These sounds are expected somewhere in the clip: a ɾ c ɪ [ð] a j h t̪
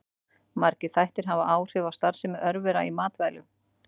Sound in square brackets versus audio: incorrect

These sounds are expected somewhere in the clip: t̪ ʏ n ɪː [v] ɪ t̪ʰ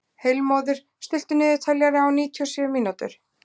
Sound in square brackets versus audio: incorrect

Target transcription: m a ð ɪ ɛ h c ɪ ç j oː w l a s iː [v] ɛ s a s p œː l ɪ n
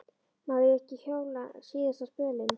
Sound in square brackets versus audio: incorrect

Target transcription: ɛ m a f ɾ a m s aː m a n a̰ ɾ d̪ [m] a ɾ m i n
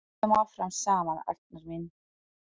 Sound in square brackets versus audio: incorrect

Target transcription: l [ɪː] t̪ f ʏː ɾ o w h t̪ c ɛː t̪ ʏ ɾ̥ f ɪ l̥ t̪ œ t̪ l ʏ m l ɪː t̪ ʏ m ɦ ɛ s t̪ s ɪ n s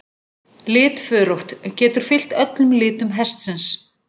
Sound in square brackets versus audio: correct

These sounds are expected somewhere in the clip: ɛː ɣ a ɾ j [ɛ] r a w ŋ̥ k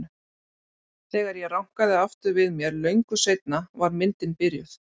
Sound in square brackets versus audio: correct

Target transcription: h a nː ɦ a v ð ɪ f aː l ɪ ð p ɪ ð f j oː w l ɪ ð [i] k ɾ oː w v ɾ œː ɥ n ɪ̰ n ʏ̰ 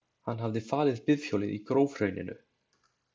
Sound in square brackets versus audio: correct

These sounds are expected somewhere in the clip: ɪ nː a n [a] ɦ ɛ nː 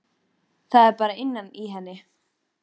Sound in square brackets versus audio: incorrect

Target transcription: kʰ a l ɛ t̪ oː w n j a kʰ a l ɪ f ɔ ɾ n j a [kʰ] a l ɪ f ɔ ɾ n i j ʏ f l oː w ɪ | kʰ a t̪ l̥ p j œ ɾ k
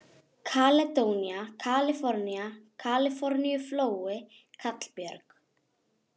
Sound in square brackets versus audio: correct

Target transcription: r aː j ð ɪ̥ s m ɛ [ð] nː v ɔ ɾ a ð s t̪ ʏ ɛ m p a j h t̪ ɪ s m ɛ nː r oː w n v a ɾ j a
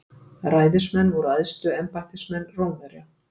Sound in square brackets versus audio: incorrect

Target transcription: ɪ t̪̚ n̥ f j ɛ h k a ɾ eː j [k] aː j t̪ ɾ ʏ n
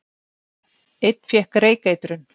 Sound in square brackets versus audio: correct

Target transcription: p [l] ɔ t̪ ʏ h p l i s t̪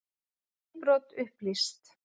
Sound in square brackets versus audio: incorrect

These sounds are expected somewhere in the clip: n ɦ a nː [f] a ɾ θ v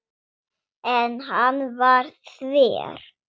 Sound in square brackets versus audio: incorrect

